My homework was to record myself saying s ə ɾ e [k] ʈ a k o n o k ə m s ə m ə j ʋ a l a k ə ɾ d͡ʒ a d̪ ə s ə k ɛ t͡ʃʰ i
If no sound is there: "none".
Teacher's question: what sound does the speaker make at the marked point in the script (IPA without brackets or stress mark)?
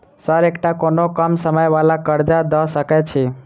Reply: k